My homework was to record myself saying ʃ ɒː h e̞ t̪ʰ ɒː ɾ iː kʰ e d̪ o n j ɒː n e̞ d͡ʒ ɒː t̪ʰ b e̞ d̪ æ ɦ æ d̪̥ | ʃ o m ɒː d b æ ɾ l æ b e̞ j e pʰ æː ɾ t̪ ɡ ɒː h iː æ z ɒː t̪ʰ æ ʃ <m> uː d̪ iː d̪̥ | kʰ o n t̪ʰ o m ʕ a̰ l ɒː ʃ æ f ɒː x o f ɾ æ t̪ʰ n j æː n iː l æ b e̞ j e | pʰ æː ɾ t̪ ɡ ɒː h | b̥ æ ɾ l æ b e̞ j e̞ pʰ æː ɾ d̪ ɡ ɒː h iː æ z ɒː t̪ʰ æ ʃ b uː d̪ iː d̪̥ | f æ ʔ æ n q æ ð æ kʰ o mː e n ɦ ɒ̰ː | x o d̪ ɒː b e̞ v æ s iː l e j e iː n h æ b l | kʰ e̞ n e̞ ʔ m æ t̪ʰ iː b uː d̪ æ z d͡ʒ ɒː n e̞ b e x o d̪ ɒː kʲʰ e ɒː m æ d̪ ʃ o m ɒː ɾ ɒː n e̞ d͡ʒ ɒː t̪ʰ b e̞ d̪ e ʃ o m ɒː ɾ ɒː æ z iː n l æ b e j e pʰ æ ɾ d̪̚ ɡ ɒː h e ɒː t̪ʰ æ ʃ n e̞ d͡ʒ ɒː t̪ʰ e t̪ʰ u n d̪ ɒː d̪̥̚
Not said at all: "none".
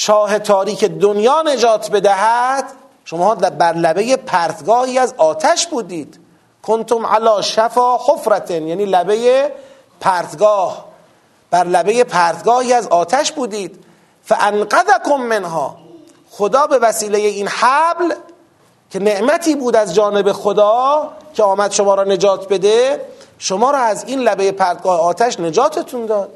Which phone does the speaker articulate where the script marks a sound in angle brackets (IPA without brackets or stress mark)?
b